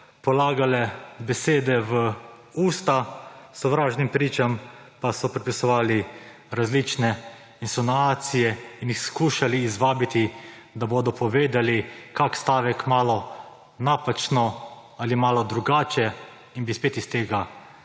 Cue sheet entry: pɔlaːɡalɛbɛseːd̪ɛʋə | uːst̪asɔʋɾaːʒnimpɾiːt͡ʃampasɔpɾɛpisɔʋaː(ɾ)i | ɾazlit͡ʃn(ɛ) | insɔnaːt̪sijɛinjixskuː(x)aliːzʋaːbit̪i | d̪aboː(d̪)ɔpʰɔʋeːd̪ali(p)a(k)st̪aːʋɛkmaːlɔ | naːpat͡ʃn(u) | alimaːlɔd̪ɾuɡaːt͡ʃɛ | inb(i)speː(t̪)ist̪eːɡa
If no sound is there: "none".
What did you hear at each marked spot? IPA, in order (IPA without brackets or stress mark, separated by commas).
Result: l, ɛ, ʃ, d̪, k, k, ɔ, i, t̪